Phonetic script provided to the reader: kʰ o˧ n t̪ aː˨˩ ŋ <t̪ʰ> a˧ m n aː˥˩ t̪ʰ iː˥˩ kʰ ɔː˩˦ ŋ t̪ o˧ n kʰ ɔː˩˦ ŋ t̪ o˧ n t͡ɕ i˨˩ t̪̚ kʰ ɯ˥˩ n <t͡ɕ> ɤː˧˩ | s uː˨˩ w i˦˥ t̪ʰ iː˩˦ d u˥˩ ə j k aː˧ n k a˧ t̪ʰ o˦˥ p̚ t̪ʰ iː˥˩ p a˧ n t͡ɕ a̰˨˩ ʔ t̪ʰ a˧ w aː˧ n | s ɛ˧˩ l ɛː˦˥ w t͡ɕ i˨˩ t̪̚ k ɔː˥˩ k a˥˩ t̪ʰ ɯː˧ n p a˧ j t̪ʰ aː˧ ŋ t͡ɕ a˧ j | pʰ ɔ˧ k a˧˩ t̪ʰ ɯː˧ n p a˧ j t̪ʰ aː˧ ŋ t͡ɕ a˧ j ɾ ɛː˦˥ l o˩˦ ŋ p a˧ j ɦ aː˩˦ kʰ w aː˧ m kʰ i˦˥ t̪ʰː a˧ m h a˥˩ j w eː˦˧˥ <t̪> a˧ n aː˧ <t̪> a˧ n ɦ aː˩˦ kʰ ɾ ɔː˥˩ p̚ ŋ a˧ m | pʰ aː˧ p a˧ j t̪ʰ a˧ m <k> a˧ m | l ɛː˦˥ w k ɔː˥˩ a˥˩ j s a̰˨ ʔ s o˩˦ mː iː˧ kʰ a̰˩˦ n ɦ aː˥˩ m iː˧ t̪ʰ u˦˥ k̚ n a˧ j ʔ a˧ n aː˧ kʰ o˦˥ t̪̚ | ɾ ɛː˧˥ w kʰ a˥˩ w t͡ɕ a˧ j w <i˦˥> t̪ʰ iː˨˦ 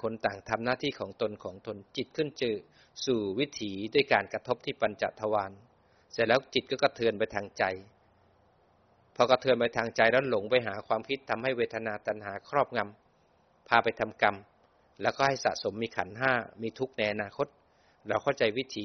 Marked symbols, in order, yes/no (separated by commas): yes, yes, no, yes, yes, yes